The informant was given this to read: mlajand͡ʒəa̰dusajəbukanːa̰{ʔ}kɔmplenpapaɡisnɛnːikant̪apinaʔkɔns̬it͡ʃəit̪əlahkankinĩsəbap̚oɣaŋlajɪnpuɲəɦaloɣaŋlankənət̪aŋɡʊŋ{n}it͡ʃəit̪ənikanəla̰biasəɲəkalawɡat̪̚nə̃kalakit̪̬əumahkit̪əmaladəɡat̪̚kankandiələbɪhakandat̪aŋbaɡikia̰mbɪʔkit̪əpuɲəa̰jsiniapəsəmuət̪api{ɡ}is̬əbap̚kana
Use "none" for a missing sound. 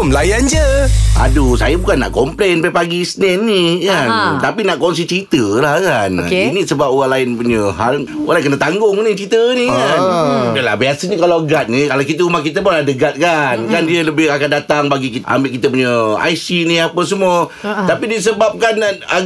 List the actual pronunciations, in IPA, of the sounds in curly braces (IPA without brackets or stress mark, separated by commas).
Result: ʔ, n, d